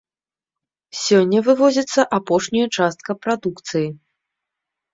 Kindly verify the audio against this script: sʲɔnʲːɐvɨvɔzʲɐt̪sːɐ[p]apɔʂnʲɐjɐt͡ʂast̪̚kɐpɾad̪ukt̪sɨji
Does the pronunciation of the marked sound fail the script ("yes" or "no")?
yes